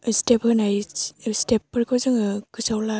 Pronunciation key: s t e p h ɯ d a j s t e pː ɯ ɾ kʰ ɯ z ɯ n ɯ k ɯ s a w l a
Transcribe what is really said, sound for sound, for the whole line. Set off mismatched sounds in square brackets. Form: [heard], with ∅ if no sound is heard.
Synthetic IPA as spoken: s t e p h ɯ [n] a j s t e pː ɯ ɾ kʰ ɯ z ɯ [ŋ] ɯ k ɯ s a w l a